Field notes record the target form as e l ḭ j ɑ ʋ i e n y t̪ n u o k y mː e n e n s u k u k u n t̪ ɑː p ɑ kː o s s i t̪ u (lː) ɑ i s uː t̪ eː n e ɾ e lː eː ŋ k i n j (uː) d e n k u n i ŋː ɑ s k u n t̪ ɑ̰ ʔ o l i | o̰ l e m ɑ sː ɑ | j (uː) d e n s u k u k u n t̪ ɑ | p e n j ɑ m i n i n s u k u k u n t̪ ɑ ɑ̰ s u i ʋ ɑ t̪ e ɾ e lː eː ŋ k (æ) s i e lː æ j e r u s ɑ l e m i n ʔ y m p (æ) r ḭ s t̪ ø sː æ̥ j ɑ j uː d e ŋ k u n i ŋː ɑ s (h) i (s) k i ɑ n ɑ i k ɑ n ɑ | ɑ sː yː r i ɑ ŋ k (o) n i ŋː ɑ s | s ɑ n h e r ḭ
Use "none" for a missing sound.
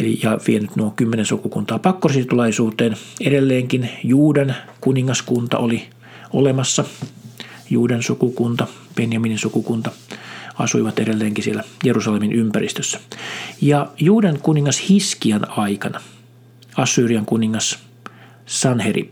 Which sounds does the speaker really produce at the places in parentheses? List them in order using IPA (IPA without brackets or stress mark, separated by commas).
l, uː, uː, i, æ, h, s, u